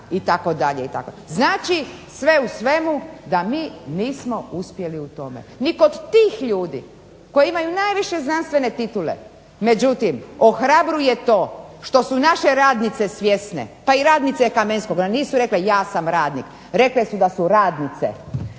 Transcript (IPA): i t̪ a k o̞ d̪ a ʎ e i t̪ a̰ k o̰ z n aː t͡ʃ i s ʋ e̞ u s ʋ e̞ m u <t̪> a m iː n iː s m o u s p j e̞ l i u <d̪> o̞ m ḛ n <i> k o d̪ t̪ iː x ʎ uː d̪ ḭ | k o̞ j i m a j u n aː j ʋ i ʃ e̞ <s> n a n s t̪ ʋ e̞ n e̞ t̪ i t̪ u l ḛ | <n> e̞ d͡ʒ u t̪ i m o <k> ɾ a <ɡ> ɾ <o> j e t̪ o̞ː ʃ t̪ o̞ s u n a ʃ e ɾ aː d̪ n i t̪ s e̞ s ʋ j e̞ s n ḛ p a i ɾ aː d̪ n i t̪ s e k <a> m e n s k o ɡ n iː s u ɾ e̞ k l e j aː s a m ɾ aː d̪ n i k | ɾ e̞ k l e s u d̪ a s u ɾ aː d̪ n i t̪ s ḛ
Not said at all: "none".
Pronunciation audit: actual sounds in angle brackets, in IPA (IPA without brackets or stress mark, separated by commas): d̪, t̪, i, z, m, x, b, u, a